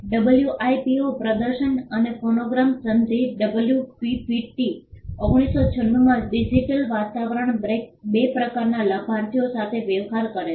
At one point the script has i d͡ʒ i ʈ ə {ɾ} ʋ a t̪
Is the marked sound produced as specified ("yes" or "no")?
no